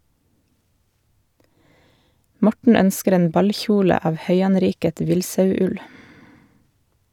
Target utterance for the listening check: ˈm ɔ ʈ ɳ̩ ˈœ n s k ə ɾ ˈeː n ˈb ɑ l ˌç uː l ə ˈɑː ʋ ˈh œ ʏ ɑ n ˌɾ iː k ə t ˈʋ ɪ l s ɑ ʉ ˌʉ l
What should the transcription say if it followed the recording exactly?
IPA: ˈm ɔ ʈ ɳ̩ ˈœ n s k ə ɾ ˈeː n ˈb ɑ l ˌç uː l ə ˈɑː ʋ ˈh œ ʏ ɑ n ˌɾ iː k ə t ˈʋ ɪ l s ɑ ʉ ˌʉ l

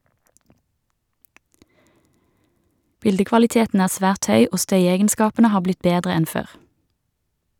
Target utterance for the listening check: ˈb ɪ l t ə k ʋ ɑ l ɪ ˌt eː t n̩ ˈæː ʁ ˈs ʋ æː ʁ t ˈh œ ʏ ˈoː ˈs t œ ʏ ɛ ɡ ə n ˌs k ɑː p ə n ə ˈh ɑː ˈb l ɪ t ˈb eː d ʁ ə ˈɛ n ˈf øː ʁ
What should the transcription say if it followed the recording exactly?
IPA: ˈb ɪ l d ə k ʋ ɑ l ɪ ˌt eː t n̩ ˈæː ʁ ˈs ʋ æː ʁ t ˈh œ ʏ ˈoː ˈs t œ ʏ ɛ ɡ ə n ˌs k ɑː p ə n ə ˈh ɑː ˈb l ɪ t ˈb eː d ʁ ə ˈɛ n ˈf øː ʁ

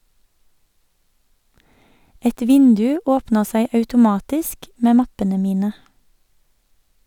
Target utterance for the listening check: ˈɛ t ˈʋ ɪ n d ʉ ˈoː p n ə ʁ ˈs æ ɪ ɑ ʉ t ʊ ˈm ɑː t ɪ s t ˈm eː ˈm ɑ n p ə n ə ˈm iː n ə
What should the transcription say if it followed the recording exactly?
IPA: ˈɛ t ˈʋ ɪ n d ʉ ˈoː p n ə ʁ ˈs æ ɪ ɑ ʉ t ʊ ˈm ɑː t ɪ s k ˈm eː ˈm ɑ p ə n ə ˈm iː n ə

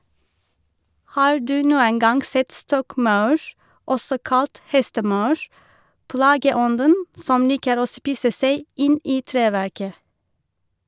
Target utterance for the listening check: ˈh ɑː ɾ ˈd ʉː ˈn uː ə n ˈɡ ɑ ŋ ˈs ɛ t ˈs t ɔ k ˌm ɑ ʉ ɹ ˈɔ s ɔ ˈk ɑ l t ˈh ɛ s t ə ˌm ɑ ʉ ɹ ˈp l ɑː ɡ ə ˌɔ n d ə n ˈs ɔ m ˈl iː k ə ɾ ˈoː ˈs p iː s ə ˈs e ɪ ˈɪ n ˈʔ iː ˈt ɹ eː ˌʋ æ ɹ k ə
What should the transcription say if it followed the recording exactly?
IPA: ˈh ɑː ɹ ˈd ʉː ˈn uː ə n ˈɡ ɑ ŋ ˈs ɛ t ˈs t ɔ k ˌm ɑ ʉ ɹ ˈɔ s ɔ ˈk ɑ l t ˈh ɛ s t ə ˌm ɑ ʉ ɹ ˈp l ɑː ɡ ə ˌɔ n d ə n ˈs ɔ m ˈl iː k ə ɾ ˈoː ˈs p iː s ə ˈs e ɪ ˈɪ n ˈʔ iː ˈt ɹ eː ˌʋ æ ɹ k ə

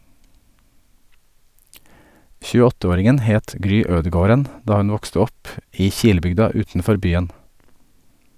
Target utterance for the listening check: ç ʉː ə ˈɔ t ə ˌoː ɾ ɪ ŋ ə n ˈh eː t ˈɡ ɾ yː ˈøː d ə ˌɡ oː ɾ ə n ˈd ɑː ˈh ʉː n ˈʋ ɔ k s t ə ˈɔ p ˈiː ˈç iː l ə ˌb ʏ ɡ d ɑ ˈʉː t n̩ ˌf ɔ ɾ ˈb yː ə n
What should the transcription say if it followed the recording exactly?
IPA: ç ʉː ə ˈɔ t ə ˌoː ɾ ɪ ŋ ə n ˈh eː t ˈɡ ɾ yː ˈøː d ə ˌɡ oː ɾ ə n ˈd ɑː ˈh ʉ n ˈʋ ɔ k s t ə ˈɔ p ˈiː ˈç iː l ə ˌb ʏ ɡ d ɑ ˈʉː t n̩ ˌf ɔ ɾ ˈb yː ə n

